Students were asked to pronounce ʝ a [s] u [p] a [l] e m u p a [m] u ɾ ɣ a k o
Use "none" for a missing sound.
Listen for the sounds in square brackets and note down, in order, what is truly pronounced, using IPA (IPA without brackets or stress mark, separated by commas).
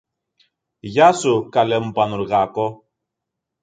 s, k, l, n